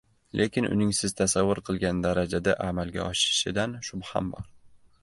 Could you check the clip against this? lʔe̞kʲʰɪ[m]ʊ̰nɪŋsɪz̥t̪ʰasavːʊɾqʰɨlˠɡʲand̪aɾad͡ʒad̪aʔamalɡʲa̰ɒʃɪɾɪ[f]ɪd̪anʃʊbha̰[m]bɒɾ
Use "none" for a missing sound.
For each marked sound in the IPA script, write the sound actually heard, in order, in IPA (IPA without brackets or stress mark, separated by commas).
n, ʃ, m